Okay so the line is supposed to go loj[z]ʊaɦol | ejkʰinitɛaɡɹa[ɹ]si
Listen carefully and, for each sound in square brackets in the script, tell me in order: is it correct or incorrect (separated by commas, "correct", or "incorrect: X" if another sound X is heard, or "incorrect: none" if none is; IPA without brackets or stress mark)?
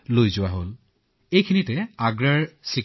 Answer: correct, correct